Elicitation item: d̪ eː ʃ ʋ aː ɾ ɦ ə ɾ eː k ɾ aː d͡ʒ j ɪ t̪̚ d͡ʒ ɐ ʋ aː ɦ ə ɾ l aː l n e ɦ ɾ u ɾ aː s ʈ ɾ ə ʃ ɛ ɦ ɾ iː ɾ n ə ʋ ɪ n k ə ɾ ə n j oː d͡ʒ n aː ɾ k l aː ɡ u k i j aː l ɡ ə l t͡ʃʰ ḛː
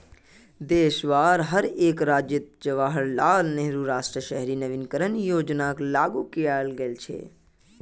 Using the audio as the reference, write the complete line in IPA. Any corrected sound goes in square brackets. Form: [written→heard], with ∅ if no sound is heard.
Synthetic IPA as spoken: d̪ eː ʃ ʋ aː ɾ ɦ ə ɾ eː k ɾ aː d͡ʒ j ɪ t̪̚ d͡ʒ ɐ ʋ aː ɦ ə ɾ l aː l n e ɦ ɾ u ɾ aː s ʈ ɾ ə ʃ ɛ ɦ ɾ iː [ɾ→∅] n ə ʋ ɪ n k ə ɾ ə n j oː d͡ʒ n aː [ɾ→∅] k l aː ɡ u k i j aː l ɡ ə l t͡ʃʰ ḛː